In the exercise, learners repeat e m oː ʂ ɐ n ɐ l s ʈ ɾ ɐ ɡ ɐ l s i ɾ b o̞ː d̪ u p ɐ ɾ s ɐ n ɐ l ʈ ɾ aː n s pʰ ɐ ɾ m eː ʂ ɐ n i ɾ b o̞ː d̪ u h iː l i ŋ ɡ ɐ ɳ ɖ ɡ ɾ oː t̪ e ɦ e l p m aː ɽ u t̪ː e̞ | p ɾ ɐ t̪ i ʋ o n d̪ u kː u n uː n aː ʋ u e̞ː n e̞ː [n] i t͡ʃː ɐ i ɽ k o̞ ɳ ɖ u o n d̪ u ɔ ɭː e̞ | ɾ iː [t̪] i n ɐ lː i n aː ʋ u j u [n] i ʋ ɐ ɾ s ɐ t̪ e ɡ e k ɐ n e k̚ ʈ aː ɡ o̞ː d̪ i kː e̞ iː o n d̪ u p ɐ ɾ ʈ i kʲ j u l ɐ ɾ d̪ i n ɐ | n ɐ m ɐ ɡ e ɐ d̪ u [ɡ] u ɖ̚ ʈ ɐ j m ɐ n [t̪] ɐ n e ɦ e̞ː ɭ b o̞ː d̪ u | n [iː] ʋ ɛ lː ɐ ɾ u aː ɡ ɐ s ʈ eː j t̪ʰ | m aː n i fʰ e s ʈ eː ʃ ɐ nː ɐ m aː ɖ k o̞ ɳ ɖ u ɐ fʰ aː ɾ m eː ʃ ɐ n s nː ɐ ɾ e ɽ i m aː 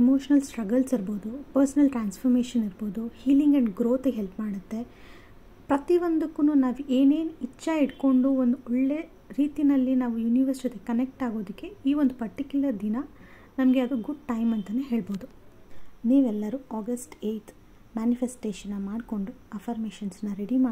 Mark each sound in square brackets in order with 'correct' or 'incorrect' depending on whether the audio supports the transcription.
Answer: correct, correct, correct, correct, correct, correct

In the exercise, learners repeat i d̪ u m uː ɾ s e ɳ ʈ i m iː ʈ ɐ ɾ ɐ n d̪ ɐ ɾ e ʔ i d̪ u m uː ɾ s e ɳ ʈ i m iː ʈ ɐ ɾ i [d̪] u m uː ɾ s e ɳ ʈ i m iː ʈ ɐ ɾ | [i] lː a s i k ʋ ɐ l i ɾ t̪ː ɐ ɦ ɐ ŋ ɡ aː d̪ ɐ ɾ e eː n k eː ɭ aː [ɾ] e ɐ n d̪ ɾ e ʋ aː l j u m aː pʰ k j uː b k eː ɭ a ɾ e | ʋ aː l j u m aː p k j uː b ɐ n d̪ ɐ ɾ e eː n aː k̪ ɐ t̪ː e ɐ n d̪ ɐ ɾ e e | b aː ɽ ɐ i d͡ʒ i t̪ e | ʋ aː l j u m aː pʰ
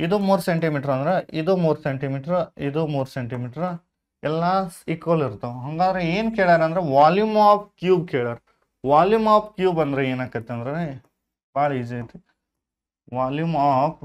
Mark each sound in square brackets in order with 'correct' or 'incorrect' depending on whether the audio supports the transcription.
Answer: correct, incorrect: ɛ, correct

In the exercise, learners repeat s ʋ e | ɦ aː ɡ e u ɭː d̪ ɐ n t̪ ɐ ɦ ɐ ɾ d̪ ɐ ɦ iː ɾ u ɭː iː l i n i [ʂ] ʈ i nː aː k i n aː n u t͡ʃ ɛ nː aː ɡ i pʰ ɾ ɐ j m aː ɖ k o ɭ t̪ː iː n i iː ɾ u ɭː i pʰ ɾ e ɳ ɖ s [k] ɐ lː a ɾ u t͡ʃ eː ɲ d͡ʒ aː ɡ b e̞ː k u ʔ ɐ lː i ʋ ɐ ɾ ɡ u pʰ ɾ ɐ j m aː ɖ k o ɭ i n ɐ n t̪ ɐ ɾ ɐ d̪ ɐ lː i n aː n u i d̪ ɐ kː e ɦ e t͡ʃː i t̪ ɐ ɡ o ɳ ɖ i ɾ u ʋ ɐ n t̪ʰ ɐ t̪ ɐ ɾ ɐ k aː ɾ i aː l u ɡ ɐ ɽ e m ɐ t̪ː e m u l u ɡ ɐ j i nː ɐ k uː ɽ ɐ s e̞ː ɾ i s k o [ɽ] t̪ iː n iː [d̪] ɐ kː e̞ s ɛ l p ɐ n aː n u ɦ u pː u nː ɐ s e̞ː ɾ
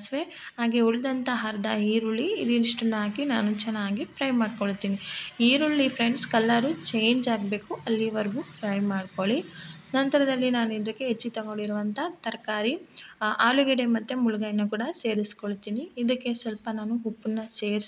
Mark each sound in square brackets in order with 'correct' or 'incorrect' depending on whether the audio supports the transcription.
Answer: correct, correct, incorrect: ɭ, correct

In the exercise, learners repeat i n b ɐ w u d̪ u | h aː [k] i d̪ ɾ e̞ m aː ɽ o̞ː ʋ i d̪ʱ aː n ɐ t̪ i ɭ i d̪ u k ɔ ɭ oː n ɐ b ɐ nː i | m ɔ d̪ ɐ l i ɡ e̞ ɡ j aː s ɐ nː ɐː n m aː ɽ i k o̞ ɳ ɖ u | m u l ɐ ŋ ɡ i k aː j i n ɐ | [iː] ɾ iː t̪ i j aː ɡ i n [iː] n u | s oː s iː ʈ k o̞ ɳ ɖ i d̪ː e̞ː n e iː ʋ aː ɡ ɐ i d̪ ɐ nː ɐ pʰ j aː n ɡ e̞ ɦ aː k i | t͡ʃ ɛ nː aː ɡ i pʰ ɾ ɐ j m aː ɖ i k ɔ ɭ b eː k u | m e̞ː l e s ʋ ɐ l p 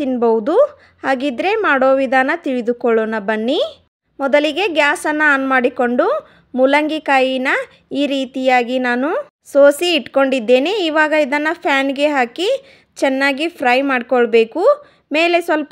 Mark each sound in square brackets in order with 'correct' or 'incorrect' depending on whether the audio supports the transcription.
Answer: incorrect: ɡ, correct, incorrect: aː

